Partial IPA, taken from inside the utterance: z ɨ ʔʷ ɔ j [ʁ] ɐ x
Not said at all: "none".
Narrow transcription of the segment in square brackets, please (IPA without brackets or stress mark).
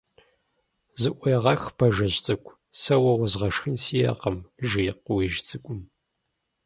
ʁ